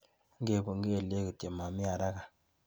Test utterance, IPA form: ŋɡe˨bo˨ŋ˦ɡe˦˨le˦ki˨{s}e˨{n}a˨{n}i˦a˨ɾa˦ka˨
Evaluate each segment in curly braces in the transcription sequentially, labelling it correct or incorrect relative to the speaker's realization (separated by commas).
incorrect, incorrect, incorrect